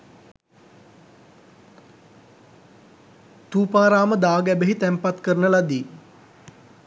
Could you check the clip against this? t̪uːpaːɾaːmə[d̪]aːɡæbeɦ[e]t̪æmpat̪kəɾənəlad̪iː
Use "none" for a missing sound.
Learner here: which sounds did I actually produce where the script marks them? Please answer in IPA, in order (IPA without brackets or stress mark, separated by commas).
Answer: d̪, i